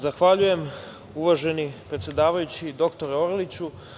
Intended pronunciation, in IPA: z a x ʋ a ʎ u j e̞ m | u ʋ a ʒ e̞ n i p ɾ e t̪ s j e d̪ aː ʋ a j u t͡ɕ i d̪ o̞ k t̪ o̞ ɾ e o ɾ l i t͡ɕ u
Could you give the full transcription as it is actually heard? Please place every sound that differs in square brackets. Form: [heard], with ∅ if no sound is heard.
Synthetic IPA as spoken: z a x ʋ a ʎ u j e̞ m | u ʋ a ʒ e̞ n i p ɾ e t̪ s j e d̪ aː ʋ a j u t͡ɕ i d̪ o̞ k t̪ o̞ ɾ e o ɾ l i t͡ɕ u